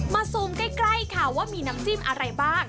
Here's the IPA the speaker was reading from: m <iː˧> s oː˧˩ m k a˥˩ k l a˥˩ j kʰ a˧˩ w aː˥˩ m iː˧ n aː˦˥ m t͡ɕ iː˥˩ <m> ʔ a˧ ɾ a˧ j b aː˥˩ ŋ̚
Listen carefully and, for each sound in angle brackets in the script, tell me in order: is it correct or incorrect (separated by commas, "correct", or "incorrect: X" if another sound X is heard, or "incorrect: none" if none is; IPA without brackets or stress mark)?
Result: incorrect: aː˧, correct